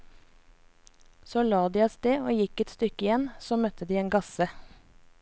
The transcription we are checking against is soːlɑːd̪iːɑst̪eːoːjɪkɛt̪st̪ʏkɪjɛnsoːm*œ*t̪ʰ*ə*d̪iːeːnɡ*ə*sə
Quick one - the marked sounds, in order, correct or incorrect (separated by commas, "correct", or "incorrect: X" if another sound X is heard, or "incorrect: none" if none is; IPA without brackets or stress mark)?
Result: correct, correct, incorrect: ɑ